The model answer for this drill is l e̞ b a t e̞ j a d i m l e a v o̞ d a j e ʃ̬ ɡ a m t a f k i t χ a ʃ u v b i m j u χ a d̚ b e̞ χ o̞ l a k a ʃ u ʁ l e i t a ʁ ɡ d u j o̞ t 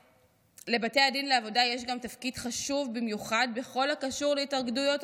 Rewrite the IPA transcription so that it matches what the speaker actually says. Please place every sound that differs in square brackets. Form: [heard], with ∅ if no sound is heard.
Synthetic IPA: l e̞ b a t e̞ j a d i [n] l e a v o̞ d a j e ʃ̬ ɡ a m t a f k i [d] χ a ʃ u v b i m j u χ a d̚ b e̞ χ o̞ l a k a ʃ u ʁ l e i t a ʁ ɡ d u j o̞ t